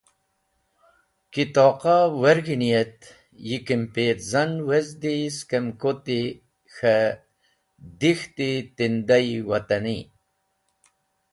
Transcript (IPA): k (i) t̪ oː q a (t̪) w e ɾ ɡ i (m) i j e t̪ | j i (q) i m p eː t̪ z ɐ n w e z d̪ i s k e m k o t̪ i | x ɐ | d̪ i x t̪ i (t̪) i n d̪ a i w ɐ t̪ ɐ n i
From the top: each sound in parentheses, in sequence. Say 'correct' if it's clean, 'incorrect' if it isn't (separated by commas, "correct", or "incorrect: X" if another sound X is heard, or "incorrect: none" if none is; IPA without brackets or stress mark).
correct, incorrect: none, incorrect: n, incorrect: k, correct